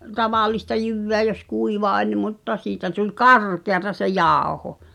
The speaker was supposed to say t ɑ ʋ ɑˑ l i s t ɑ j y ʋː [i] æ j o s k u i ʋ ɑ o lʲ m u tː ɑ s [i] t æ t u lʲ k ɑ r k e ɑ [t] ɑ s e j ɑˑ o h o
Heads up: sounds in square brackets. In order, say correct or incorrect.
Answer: incorrect, incorrect, correct

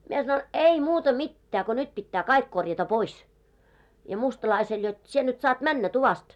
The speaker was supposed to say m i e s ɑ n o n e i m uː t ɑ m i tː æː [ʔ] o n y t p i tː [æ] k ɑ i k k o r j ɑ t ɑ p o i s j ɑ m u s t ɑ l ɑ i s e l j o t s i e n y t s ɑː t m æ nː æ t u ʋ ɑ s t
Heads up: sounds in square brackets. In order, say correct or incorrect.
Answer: incorrect, incorrect

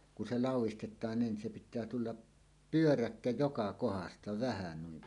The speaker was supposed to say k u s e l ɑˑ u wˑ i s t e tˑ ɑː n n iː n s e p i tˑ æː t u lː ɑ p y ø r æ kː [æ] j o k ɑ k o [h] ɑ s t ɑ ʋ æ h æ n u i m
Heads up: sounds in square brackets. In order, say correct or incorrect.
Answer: correct, correct

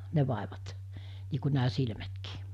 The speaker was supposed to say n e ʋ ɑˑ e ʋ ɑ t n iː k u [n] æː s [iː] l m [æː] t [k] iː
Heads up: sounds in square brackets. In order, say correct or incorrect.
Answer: correct, incorrect, incorrect, correct

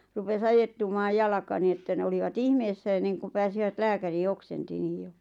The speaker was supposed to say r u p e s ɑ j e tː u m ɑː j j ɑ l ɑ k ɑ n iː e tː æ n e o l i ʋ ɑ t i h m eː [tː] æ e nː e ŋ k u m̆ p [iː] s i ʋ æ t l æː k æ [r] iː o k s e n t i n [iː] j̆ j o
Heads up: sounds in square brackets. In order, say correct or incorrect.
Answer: incorrect, incorrect, correct, correct

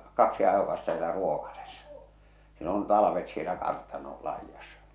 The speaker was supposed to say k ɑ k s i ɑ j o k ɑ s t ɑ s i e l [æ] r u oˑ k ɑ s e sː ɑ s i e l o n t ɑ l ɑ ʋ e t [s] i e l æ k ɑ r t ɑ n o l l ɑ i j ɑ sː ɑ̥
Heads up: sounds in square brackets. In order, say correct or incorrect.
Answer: correct, correct

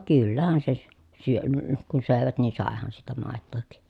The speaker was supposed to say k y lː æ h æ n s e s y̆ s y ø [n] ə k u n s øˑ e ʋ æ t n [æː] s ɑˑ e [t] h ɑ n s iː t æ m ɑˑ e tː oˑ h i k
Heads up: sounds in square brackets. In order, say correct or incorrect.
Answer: correct, incorrect, incorrect

